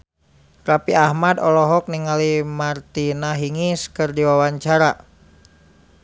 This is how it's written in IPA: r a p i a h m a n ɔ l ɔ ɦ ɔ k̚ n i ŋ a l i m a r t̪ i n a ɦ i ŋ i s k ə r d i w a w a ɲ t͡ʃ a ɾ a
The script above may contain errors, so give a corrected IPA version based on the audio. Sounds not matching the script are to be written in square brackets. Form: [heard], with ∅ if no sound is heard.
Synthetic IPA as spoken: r a p i a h m a [d] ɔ l ɔ ɦ ɔ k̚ n i ŋ a l i m a r t̪ i n a ɦ i ŋ i s k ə r d i w a w a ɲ t͡ʃ a ɾ a